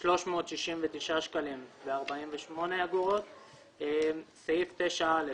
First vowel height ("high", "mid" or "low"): mid